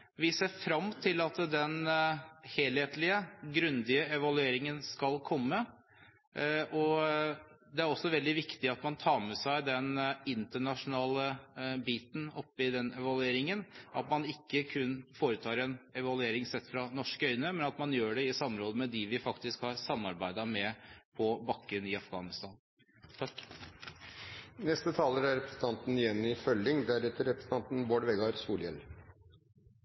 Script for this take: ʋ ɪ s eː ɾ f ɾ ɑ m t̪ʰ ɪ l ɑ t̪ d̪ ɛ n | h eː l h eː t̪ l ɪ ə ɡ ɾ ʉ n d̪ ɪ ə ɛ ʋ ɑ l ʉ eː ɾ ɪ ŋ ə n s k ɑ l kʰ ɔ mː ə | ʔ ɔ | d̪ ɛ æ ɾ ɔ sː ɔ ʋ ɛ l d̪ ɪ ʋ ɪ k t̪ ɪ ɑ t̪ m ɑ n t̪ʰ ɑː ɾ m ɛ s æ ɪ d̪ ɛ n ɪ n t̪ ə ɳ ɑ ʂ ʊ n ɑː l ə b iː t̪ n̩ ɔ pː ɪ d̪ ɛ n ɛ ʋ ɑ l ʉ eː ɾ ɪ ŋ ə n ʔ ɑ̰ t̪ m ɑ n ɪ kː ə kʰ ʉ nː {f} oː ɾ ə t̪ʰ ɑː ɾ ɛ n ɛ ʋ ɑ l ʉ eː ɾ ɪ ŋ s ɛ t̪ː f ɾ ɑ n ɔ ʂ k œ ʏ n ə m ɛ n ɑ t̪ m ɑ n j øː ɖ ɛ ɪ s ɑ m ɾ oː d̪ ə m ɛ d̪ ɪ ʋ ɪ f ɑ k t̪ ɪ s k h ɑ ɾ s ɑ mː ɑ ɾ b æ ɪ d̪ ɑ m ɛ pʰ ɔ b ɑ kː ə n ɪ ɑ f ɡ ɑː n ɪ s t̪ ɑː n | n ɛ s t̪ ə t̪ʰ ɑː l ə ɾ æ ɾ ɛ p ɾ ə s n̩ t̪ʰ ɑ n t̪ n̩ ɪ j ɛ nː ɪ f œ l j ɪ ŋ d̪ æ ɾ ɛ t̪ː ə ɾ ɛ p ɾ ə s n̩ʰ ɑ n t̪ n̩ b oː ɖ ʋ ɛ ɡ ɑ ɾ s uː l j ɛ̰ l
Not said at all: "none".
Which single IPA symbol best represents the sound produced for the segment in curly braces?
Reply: f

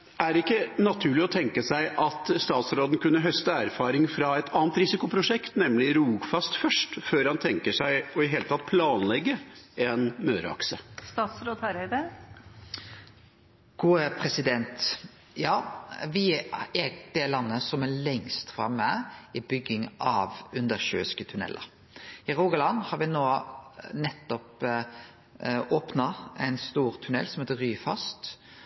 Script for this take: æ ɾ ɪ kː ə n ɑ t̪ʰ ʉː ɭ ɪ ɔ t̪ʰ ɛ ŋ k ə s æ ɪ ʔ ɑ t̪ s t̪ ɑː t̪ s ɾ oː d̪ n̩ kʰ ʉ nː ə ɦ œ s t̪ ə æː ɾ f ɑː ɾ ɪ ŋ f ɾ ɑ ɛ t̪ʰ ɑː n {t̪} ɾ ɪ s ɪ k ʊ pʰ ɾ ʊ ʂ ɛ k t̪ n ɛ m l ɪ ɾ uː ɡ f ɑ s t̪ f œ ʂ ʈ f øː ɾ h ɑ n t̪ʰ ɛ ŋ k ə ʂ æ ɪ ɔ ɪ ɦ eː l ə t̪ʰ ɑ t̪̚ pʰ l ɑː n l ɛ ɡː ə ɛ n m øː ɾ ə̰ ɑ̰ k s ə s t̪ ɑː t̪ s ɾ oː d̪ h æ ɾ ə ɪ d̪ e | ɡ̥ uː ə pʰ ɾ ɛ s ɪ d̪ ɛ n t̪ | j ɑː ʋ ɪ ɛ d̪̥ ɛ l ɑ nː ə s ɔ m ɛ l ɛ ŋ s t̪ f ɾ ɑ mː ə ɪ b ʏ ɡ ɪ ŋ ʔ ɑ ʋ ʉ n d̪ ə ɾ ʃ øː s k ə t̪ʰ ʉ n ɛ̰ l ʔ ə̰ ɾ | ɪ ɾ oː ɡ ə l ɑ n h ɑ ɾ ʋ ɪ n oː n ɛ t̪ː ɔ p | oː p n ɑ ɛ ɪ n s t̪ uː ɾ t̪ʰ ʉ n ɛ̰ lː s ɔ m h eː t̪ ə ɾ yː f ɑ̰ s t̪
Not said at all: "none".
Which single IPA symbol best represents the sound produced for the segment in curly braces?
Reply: t̪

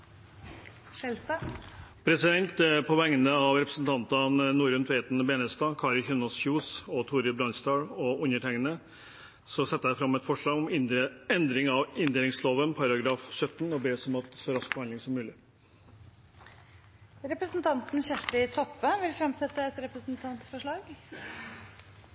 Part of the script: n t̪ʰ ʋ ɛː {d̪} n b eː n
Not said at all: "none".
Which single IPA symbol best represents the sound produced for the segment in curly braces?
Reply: t̪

